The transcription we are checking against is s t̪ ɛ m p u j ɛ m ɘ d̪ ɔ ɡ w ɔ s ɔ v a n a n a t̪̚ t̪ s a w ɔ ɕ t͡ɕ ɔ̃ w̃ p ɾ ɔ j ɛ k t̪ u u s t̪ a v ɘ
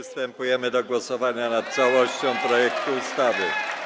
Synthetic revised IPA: s t̪ ɛ m p u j ɛ m ɘ d̪ ɔ ɡ w ɔ s ɔ v a ɲ a n a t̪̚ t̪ s a w ɔ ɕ t͡ɕ ɔ̃ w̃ p ɾ ɔ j ɛ k t̪ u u s t̪ a v ɘ